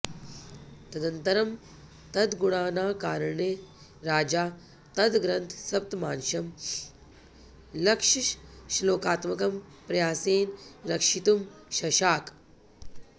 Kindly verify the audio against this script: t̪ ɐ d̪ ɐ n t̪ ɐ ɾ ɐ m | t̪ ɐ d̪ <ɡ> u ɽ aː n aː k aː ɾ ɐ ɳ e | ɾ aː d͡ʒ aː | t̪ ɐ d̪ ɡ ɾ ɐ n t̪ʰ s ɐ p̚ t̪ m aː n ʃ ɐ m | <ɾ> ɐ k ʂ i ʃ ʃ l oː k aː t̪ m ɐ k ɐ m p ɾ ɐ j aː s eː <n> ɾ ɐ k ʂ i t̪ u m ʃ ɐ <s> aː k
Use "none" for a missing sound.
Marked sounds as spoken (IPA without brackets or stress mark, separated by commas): ɡ, l, n, ʃ